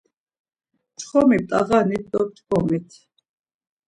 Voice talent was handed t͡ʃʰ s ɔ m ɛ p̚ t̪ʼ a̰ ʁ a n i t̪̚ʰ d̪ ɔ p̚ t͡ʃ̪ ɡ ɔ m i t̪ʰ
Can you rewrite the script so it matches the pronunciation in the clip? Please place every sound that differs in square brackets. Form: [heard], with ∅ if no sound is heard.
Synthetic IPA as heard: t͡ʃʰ [χ] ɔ m [i] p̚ t̪ʼ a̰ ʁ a n i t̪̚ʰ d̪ ɔ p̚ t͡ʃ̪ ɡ ɔ m i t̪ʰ